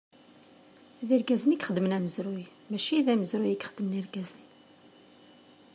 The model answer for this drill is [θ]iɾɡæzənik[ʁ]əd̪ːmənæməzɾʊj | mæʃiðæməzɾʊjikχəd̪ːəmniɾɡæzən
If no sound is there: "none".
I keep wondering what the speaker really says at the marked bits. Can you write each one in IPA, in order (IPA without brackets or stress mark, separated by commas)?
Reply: ð, χ